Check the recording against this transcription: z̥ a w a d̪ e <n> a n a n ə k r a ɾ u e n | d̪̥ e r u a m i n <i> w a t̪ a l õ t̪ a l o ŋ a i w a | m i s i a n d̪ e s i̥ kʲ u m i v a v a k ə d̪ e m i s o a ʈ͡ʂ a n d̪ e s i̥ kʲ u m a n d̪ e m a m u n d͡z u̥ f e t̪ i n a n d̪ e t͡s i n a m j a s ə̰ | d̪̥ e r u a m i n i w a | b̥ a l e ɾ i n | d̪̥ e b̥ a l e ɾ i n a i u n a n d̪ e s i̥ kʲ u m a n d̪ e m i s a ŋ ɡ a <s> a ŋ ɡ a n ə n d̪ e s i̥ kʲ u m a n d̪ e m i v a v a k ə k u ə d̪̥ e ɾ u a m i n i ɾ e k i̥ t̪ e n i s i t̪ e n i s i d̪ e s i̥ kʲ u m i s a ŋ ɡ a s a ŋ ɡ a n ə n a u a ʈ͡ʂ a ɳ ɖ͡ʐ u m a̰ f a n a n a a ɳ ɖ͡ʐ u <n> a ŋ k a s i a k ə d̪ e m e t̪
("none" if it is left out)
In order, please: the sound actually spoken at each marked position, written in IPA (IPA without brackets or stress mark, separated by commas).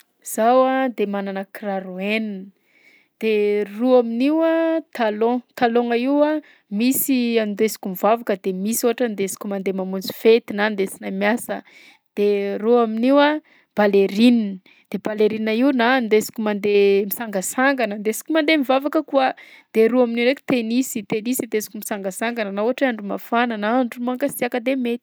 m, i, s, m